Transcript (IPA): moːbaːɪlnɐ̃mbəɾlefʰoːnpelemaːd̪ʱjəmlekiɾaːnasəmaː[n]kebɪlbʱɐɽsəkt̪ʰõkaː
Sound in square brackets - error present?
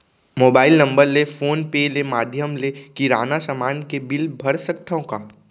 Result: no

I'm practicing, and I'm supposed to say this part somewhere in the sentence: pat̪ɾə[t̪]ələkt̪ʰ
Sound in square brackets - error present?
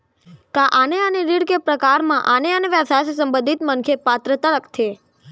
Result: no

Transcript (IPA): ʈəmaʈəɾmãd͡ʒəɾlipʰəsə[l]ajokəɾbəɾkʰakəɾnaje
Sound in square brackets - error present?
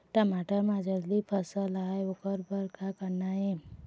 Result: no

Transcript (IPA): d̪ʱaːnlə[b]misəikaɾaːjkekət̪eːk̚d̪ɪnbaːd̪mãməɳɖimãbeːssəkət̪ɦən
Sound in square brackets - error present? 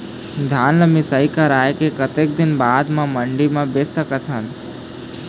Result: yes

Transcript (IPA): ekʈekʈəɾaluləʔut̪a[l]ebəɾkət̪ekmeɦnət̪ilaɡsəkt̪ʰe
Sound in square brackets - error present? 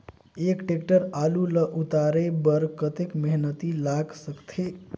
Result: yes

